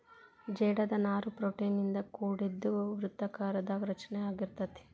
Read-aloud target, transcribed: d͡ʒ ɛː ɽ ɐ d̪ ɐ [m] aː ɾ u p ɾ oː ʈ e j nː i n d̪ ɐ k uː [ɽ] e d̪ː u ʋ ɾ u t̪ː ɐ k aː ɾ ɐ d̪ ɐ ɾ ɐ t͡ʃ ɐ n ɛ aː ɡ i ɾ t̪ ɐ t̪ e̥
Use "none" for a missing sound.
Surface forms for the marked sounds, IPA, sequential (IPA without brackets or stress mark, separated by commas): n, ɽ